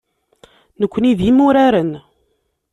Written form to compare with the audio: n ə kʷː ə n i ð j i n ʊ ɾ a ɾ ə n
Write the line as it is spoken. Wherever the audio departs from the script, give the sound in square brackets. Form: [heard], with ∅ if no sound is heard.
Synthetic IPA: n ə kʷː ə n i ð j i [m] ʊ ɾ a ɾ ə n